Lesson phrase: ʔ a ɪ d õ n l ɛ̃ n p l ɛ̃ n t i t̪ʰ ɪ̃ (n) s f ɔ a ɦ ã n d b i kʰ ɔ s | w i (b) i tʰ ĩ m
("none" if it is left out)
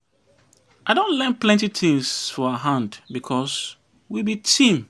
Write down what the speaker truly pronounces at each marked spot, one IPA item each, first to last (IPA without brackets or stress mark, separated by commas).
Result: ŋ, b